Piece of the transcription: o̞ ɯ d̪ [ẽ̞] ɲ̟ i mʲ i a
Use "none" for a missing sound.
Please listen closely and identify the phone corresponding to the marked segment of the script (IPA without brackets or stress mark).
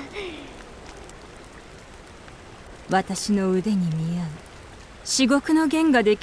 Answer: e̞